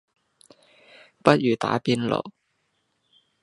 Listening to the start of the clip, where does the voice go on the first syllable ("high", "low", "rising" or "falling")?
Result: high